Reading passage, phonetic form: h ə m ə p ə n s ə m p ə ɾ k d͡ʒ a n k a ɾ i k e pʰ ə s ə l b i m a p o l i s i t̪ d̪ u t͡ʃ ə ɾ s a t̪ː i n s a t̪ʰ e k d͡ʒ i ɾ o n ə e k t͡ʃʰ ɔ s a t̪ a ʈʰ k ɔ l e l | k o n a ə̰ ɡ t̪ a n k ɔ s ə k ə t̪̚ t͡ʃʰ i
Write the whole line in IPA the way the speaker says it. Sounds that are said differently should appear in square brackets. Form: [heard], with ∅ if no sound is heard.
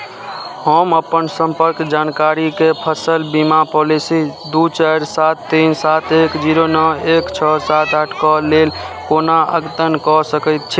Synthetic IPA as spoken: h ə m ə p ə n s ə m p ə ɾ k d͡ʒ a n k a ɾ i k e pʰ ə s ə l b i m a p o l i s i [∅] d̪ u t͡ʃ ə ɾ s a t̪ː i n s a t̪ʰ e k d͡ʒ i ɾ o n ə e k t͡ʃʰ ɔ s a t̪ a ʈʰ k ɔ l e l | k o n a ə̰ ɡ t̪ [ə] n k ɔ s ə k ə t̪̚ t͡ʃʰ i

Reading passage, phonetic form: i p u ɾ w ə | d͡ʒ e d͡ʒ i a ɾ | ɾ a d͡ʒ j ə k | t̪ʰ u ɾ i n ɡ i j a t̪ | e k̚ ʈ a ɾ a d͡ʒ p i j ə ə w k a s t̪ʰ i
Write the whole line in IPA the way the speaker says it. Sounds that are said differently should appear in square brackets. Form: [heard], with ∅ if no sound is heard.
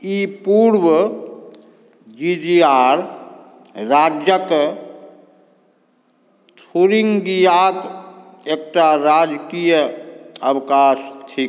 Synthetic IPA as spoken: i p u ɾ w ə | d͡ʒ [i] d͡ʒ i a ɾ | ɾ a d͡ʒ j ə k | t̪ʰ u ɾ i [ŋ] ɡ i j a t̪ | e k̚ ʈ a ɾ a d͡ʒ [k] i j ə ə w k a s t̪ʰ i

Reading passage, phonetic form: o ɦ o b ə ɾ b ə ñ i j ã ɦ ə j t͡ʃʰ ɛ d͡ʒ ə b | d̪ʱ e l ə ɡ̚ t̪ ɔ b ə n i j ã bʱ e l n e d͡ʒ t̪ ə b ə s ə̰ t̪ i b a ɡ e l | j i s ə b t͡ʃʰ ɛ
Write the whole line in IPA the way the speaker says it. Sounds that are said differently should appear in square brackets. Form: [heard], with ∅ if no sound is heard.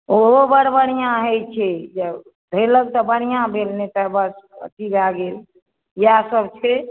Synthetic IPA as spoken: o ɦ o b ə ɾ b ə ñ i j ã ɦ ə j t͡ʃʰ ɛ d͡ʒ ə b | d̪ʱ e l ə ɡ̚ t̪ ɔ b ə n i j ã bʱ e l n e [∅] t̪ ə b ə s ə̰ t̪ i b a ɡ e l | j [a] s ə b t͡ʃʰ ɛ

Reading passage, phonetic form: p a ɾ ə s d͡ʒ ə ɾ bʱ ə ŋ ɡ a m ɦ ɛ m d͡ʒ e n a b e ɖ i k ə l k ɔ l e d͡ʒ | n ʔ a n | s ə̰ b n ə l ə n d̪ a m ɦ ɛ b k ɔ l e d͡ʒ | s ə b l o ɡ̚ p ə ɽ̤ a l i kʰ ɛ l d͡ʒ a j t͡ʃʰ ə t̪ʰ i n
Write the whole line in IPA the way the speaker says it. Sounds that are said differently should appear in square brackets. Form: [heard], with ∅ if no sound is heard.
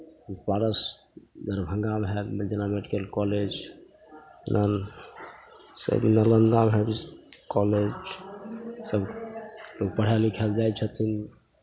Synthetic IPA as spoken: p a ɾ ə s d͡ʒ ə ɾ bʱ ə ŋ ɡ a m ɦ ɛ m d͡ʒ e n a [m] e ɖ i k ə l k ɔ l e d͡ʒ | n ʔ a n | s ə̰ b n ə l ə n d̪ a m ɦ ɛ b k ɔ l e d͡ʒ | s ə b l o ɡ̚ p ə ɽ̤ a l i kʰ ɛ l d͡ʒ a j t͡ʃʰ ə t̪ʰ i n

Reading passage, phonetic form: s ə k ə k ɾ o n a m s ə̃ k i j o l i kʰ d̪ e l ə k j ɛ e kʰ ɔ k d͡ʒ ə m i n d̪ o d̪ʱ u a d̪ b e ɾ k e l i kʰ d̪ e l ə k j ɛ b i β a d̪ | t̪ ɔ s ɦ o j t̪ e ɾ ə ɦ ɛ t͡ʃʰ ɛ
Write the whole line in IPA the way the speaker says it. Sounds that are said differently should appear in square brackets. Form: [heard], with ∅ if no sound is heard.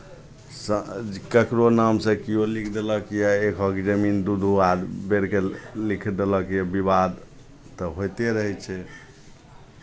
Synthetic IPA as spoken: s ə k ə k ɾ o n a m s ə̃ k i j o l i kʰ d̪ e l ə k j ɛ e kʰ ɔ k d͡ʒ ə m i n d̪ [u] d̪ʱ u a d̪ b e ɾ k e l i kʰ d̪ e l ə k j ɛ b i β a d̪ | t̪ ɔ [∅] ɦ o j t̪ e ɾ ə ɦ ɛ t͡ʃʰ ɛ

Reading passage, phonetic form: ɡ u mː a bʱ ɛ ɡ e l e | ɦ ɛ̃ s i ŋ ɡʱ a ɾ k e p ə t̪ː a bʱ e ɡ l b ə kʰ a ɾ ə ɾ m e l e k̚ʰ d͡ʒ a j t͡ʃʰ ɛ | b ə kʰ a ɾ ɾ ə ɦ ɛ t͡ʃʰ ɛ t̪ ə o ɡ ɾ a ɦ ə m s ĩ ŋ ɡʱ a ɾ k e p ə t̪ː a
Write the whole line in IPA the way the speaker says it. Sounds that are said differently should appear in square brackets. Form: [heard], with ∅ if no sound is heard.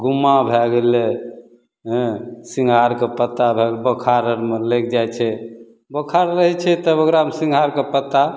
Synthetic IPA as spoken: ɡ u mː a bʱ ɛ ɡ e l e | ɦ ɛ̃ s i ŋ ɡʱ a ɾ k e p ə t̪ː a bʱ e ɡ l b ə kʰ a ɾ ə ɾ m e l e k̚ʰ d͡ʒ a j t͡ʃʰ ɛ | b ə kʰ a ɾ ɾ ə ɦ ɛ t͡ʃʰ ɛ t̪ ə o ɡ ɾ a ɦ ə m s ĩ ŋ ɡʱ a ɾ k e p ə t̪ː a

